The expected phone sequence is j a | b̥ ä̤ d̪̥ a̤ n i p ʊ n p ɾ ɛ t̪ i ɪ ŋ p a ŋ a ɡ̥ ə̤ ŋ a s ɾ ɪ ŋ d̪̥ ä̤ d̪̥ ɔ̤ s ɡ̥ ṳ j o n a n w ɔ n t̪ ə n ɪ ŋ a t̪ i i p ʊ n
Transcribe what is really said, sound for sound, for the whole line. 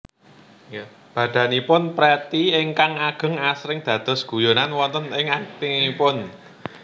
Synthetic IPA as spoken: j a | b̥ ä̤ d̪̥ a̤ n i p ʊ n p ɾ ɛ t̪ i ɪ ŋ k a ŋ a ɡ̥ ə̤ ŋ a s ɾ ɪ ŋ d̪̥ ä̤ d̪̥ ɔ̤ s ɡ̥ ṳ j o n a n w ɔ n t̪ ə n ɪ ŋ a t̪ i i p ʊ n